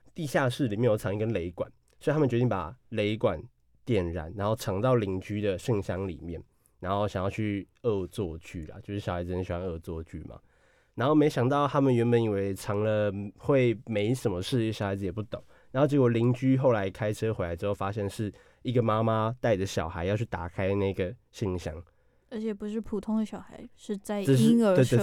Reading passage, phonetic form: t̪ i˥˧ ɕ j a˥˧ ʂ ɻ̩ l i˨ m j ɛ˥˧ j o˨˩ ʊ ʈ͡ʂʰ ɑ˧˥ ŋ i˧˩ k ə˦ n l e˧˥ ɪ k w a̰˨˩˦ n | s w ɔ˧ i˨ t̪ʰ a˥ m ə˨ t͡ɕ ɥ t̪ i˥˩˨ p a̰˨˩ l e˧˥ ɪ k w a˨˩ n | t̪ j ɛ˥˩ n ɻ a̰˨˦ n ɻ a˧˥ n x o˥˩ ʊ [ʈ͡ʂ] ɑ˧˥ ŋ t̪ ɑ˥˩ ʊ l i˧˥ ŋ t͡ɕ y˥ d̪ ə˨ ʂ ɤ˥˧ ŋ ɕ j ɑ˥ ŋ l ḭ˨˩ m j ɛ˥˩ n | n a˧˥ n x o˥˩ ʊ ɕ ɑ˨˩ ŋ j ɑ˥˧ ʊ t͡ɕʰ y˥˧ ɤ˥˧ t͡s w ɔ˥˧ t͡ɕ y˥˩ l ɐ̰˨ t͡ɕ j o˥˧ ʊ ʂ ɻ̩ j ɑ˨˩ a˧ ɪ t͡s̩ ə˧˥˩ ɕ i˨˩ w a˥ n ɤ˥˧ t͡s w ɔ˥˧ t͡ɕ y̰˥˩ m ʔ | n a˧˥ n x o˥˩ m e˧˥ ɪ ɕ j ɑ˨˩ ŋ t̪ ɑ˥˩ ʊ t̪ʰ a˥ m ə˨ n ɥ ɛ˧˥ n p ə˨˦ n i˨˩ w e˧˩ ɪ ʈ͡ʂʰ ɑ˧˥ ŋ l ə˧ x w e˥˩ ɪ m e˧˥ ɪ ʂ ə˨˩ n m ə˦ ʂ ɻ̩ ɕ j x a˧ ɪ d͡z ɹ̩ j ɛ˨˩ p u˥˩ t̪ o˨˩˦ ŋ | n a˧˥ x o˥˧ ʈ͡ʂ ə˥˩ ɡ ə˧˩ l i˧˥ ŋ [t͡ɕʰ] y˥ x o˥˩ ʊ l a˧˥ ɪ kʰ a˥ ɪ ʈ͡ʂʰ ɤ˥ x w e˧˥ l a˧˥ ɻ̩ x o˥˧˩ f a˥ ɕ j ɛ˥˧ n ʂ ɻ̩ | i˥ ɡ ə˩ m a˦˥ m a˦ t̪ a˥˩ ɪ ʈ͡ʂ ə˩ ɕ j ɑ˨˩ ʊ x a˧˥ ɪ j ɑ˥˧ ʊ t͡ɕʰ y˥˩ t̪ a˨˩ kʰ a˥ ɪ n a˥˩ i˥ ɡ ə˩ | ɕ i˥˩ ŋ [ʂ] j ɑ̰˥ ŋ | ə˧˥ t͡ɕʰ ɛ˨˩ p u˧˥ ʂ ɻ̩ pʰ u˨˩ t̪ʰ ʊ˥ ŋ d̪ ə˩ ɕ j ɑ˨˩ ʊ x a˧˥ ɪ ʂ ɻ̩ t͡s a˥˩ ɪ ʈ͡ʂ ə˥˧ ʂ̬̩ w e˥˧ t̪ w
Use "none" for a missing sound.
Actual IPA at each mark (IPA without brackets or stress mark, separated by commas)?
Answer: ʈ͡ʂʰ, t͡ɕ, ɕ